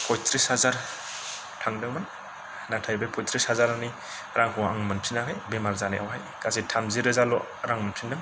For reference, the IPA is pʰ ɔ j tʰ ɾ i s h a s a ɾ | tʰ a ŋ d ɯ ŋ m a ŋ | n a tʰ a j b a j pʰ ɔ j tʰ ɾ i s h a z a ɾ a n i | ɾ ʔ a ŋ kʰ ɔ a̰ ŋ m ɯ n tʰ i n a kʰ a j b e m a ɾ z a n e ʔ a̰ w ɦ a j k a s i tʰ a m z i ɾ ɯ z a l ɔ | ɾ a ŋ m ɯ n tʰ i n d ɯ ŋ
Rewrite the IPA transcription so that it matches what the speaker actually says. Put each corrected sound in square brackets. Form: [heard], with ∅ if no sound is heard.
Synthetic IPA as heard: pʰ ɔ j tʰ ɾ i s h a [z] a ɾ | tʰ a ŋ d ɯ ŋ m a [n] | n a tʰ a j b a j pʰ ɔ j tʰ ɾ i s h a z a ɾ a n i | ɾ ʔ a ŋ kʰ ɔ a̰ ŋ m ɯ n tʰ i n a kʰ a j b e m a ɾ z a n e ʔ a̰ w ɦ a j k a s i tʰ a m z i ɾ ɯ z a l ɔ | ɾ a ŋ m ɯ n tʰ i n d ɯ ŋ